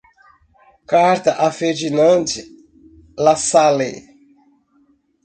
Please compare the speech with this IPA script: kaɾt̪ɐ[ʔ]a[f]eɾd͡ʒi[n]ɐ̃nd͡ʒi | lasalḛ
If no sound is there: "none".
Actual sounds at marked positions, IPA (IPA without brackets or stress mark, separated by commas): ʔ, f, n